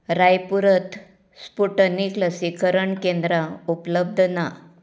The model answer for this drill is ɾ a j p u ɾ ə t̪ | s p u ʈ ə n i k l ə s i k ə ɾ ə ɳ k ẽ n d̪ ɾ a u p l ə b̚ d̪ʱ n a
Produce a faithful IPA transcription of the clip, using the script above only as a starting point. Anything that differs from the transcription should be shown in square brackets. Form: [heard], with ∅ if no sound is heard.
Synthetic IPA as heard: ɾ a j p u ɾ ə t̪ | s p u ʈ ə n i k l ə s i k ə ɾ ə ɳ k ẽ n d̪ ɾ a u p l ə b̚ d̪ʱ n a